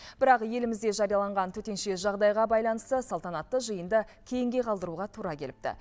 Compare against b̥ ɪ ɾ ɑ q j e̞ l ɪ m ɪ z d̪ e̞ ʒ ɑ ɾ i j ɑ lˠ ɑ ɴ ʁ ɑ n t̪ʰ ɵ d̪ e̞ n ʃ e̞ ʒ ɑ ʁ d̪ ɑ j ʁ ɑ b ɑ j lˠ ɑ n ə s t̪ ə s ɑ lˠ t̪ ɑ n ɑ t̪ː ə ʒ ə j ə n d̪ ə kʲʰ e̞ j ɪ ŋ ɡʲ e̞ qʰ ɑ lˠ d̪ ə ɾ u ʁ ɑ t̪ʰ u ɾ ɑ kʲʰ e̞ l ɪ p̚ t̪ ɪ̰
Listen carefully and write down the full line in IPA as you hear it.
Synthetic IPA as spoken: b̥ ɪ ɾ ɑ q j e̞ l ɪ m ɪ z d̪ e̞ ʒ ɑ ɾ i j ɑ lˠ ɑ ɴ ʁ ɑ n t̪ʰ ɵ t̪ e̞ n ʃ e̞ ʒ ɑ ʁ d̪ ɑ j ʁ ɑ b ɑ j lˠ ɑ n ə s t̪ ə s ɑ lˠ t̪ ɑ n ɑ t̪ː ə ʒ ə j ə n d̪ ə kʲʰ e̞ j ɪ ŋ ɡʲ e̞ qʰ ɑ lˠ d̪ ə ɾ u ʁ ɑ t̪ʰ u ɾ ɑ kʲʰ e̞ l ɪ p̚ t̪ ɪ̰